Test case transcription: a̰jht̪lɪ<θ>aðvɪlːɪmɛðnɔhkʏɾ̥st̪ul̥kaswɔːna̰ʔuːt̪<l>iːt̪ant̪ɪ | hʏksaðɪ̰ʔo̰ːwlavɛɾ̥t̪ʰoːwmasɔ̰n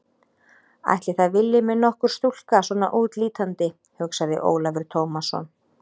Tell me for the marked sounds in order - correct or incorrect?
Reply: correct, correct

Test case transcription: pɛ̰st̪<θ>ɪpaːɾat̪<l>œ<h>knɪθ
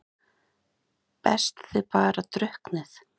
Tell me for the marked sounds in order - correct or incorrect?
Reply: correct, incorrect: ɾ, correct

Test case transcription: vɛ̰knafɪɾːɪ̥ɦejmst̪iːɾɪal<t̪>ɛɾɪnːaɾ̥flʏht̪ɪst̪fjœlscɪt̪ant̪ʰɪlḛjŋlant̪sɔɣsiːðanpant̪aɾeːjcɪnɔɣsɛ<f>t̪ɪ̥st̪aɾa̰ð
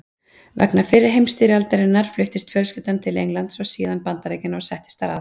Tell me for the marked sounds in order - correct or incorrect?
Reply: correct, incorrect: h

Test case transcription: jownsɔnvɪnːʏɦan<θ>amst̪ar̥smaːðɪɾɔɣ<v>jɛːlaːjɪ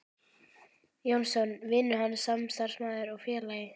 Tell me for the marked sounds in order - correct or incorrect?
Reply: incorrect: s, incorrect: f

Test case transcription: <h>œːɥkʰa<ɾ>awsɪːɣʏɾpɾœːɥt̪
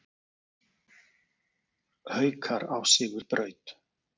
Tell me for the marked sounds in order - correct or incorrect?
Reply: correct, correct

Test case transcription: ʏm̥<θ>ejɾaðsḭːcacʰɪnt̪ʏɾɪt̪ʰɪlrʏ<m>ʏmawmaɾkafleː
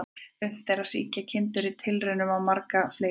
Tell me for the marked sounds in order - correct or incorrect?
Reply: correct, incorrect: n

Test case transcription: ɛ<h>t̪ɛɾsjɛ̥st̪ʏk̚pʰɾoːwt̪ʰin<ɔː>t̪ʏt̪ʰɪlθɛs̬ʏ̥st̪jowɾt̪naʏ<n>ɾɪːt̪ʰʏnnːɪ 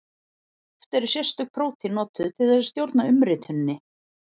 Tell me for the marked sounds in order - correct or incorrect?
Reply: incorrect: f, correct, incorrect: m

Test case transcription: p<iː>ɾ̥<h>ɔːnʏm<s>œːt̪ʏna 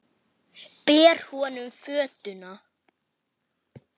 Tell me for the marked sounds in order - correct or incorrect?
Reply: incorrect: ɛː, correct, incorrect: f

